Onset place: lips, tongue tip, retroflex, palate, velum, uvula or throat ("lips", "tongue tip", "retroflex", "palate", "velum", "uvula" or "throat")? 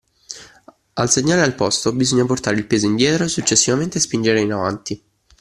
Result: tongue tip